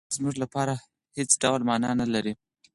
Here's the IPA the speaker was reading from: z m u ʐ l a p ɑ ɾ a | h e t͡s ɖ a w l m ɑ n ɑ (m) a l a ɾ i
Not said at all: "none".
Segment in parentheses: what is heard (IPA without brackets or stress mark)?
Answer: n